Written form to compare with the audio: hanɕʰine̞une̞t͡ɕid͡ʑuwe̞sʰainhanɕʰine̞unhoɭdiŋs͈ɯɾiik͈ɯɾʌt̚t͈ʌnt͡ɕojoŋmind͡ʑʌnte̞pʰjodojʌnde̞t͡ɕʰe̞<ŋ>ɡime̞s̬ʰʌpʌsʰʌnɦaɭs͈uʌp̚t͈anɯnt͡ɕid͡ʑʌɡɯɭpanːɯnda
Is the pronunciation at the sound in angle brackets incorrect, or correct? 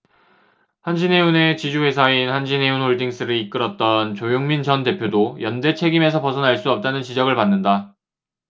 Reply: incorrect